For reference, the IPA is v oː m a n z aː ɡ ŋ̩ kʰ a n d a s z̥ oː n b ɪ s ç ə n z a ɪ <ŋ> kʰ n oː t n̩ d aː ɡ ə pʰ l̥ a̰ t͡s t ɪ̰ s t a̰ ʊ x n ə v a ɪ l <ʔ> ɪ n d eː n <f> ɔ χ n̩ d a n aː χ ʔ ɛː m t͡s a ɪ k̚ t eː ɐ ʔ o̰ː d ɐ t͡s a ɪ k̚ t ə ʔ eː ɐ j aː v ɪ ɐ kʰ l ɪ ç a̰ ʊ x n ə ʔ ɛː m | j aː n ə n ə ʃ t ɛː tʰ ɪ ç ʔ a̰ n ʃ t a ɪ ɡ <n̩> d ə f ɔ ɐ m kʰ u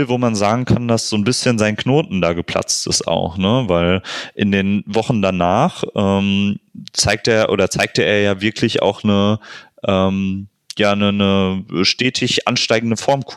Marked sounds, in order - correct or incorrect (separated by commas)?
incorrect, correct, incorrect, incorrect